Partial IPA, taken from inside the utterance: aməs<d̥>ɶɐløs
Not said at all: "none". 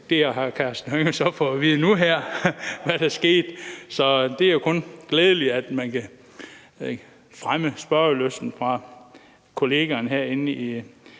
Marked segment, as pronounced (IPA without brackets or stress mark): b̥